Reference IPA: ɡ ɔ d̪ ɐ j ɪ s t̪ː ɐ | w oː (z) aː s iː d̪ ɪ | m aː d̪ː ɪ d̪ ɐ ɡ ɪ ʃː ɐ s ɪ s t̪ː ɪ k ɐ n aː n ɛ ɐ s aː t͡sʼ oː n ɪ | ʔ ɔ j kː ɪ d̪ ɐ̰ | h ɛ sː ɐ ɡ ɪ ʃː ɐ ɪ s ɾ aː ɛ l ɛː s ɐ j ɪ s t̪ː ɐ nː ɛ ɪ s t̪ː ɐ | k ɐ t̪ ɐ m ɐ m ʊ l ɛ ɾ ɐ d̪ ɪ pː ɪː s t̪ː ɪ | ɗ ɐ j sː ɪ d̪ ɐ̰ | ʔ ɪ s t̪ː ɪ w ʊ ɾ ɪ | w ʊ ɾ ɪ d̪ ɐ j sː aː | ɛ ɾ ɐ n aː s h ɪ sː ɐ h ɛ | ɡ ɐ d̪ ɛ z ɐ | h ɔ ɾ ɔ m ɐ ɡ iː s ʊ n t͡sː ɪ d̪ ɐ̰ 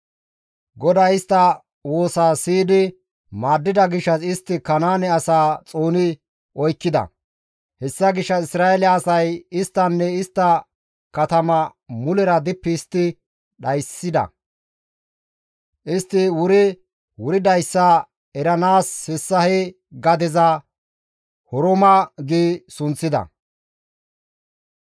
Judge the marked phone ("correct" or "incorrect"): incorrect